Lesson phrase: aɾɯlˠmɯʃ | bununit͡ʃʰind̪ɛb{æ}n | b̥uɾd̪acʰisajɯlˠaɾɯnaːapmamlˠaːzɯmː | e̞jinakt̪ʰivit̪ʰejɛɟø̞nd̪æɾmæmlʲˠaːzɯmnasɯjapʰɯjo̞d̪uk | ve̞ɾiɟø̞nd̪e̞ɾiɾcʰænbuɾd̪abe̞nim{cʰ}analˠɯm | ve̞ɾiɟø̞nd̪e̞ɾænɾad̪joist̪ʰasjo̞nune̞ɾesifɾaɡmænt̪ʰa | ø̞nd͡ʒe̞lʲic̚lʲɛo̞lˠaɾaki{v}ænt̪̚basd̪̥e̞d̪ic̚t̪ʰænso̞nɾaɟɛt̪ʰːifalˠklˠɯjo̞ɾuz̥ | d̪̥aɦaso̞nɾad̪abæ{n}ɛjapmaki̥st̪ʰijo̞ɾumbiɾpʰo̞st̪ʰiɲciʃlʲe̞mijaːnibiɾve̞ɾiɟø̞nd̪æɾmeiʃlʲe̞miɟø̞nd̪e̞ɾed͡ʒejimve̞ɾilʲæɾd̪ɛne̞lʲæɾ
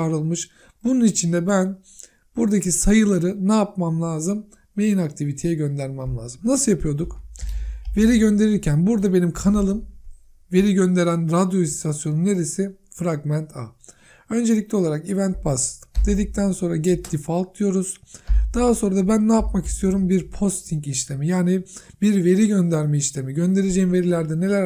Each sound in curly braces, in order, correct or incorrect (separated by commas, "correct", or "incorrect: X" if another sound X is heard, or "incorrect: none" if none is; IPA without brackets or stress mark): correct, incorrect: kʰ, correct, incorrect: nː